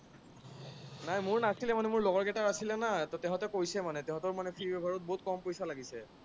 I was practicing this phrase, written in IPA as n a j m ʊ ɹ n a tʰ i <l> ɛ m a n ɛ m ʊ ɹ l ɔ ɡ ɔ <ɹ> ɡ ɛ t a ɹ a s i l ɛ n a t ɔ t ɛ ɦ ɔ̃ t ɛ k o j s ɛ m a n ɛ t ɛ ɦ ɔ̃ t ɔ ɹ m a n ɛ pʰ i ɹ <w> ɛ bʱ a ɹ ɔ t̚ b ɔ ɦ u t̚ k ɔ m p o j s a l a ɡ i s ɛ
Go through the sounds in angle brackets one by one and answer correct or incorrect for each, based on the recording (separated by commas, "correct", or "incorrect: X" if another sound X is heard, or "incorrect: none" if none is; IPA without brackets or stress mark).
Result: correct, correct, incorrect: b